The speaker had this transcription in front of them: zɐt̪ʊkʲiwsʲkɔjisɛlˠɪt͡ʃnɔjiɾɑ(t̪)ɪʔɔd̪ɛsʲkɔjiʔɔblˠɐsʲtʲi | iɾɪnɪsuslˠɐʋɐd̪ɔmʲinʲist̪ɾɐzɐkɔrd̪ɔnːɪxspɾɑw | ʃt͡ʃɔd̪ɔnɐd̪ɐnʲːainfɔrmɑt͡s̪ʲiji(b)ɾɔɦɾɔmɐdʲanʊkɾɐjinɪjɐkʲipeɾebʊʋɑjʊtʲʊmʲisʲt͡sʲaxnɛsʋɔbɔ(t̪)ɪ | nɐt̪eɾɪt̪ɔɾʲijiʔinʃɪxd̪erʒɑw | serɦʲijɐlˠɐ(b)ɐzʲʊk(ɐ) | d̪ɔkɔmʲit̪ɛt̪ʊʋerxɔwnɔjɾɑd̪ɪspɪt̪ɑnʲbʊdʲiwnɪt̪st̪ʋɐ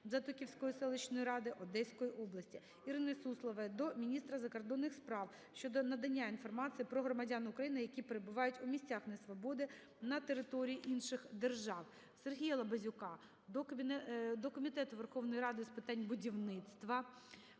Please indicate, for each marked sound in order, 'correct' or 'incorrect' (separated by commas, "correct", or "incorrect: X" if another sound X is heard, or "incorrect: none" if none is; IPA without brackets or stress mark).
incorrect: d̪, incorrect: p, incorrect: d̪, correct, incorrect: ɑ